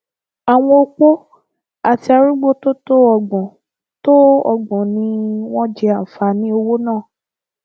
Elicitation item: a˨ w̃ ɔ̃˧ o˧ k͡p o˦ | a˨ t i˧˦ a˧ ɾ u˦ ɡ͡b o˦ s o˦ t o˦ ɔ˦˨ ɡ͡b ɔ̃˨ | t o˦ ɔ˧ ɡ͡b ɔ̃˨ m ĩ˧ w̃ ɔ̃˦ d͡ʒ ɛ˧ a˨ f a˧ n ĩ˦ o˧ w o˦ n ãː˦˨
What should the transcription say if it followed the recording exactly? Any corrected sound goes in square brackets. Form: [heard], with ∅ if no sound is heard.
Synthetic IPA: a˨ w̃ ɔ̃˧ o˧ k͡p o˦ | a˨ t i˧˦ a˧ ɾ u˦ ɡ͡b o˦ [t] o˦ t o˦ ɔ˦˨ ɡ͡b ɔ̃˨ | t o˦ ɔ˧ ɡ͡b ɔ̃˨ [n] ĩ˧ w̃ ɔ̃˦ d͡ʒ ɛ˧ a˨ f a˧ n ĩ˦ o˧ w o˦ n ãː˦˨